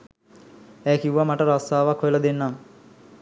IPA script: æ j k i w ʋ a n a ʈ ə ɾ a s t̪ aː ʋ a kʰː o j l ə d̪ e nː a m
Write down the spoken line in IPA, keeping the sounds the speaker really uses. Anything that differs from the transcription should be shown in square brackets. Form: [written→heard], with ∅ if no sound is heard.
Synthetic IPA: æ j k i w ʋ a [n→m] a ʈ ə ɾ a s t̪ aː ʋ a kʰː o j l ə d̪ e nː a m